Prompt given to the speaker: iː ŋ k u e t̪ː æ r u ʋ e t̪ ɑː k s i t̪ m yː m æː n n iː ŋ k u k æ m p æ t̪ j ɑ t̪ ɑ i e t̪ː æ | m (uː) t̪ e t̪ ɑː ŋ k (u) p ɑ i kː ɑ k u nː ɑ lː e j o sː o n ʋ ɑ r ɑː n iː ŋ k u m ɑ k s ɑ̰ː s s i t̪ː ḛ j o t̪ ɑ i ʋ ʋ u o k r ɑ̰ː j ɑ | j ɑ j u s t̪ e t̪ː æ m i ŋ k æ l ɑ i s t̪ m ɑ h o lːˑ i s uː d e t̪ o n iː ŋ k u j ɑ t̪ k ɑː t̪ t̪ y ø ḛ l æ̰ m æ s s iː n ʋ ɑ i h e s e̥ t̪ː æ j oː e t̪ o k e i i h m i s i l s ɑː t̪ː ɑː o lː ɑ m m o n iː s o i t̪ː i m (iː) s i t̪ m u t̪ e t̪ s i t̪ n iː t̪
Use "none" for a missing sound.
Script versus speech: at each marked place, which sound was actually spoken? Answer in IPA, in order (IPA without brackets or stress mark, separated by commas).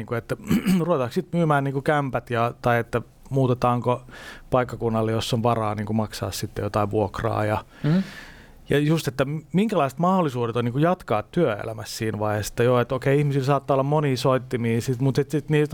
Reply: uː, o, iː